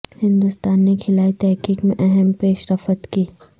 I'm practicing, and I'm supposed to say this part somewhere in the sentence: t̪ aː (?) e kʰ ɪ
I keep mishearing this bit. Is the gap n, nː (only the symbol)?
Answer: nː